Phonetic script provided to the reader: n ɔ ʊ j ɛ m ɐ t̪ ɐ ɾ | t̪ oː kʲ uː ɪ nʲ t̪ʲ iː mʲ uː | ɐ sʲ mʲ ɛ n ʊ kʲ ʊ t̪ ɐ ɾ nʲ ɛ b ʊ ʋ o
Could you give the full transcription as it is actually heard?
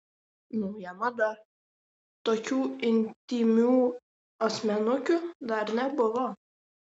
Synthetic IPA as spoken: n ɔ ʊ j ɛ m ɐ d̪ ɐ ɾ | t̪ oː kʲ uː ɪ nʲ t̪ʲ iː mʲ uː | ɐ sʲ mʲ ɛ n ʊ kʲ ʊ d̪ ɐ ɾ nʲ ɛ b ʊ ʋ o